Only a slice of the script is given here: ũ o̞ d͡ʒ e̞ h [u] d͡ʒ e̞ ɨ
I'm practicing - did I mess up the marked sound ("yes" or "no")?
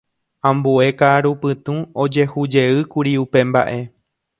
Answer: no